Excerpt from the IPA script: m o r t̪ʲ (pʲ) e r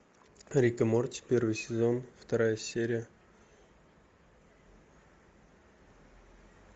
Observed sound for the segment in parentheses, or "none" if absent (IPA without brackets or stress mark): pʲ